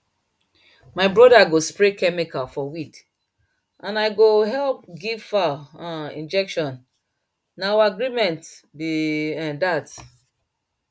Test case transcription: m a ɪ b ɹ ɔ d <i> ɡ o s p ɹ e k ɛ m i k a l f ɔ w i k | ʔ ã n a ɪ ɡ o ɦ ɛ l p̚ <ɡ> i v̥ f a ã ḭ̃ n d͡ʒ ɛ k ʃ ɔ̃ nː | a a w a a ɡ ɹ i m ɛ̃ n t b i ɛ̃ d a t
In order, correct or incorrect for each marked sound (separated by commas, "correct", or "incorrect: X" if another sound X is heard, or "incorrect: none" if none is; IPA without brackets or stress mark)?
incorrect: a, correct